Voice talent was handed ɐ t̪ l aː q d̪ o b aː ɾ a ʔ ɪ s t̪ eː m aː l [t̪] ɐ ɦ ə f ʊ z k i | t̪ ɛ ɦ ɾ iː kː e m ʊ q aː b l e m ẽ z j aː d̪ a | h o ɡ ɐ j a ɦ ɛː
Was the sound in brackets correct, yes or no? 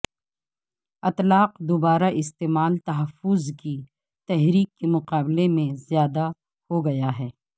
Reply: yes